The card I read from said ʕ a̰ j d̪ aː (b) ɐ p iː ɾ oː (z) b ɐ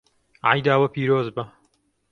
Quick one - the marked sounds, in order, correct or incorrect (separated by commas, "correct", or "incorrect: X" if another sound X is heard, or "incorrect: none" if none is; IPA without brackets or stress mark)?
incorrect: w, correct